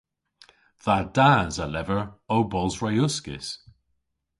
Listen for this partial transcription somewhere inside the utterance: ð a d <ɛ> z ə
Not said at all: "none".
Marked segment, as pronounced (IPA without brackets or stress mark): a